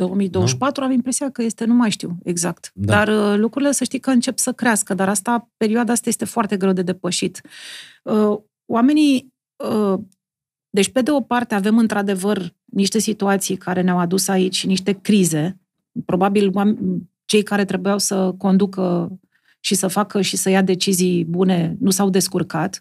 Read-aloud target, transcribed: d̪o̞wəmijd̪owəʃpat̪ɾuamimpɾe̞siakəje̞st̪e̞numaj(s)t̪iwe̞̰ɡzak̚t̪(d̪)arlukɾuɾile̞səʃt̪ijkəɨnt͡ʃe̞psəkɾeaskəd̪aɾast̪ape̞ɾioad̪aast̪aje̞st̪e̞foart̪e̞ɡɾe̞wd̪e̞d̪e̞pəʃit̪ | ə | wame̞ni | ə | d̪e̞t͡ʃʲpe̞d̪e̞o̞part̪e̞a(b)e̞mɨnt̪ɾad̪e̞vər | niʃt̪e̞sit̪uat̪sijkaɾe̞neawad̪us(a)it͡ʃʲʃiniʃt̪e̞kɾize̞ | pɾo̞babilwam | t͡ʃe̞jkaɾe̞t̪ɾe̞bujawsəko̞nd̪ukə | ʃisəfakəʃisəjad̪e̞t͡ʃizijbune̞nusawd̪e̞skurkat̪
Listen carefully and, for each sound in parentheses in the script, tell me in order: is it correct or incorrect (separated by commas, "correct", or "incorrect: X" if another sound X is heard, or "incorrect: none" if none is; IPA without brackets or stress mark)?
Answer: incorrect: ʃ, correct, incorrect: v, correct